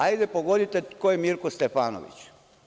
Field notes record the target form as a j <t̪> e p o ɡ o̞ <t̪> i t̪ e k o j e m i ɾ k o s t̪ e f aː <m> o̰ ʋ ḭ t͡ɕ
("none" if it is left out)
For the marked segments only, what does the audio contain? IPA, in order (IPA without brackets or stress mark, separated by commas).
d̪, d̪, n